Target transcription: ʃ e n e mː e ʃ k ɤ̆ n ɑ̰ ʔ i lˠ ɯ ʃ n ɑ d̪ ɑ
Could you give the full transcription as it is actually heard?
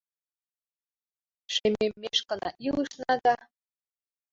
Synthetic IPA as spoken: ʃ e m e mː e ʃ k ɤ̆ n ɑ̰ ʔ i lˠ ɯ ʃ n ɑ d̪ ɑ